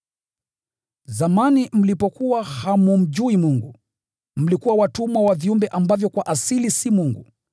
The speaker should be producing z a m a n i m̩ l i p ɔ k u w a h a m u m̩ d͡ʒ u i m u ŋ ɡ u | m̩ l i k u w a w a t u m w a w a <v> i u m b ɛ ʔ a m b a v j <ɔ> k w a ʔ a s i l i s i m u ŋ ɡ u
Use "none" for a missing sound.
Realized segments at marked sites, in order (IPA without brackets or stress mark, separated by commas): v, ɔ